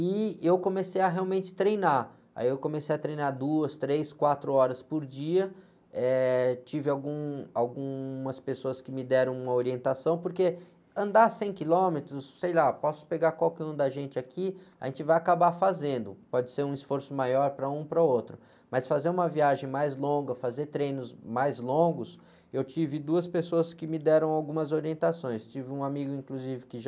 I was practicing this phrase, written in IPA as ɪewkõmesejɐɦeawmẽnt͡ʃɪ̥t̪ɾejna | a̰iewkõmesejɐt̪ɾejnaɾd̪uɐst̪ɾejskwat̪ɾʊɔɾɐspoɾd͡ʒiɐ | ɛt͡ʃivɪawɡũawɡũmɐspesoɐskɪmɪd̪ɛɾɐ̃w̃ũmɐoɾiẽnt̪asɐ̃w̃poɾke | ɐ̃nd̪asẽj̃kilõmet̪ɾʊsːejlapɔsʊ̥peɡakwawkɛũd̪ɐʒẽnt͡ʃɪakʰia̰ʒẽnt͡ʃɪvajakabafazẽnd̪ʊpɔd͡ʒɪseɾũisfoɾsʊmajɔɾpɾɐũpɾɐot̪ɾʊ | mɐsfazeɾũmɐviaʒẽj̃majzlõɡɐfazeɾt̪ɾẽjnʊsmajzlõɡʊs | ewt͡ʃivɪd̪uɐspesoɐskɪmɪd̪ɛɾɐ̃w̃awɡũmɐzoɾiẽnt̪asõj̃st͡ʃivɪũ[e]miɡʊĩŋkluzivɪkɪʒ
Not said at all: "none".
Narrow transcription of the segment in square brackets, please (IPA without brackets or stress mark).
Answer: a